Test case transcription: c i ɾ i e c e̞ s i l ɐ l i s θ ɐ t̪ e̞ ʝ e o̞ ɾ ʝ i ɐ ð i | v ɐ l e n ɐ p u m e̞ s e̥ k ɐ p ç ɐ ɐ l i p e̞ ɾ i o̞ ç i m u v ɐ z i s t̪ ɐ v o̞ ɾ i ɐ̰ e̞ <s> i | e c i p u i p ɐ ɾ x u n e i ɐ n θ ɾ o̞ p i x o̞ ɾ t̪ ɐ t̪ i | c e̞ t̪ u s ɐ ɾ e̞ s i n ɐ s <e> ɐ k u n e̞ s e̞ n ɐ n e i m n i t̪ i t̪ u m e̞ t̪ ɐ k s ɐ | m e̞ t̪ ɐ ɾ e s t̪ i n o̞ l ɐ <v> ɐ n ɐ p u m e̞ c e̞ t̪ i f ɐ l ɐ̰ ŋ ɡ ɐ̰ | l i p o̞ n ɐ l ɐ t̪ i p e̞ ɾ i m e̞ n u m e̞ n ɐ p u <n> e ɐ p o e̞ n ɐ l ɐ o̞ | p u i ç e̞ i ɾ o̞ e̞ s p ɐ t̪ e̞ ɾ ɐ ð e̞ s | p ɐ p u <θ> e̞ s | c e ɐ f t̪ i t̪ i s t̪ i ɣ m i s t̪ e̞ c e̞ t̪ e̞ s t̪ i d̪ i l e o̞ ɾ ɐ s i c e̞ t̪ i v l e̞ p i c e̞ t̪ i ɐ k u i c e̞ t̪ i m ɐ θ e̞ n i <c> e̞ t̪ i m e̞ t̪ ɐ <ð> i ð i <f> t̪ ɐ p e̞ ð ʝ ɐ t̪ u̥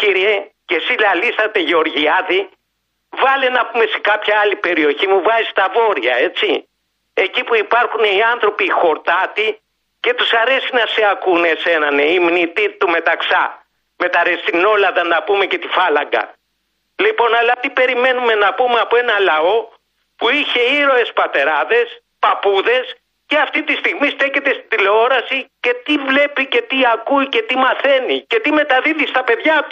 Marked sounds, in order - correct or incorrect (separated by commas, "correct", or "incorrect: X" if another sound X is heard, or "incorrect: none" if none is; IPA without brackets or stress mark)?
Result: incorrect: t͡s, correct, incorrect: ð, incorrect: m, incorrect: ð, correct, correct, incorrect: s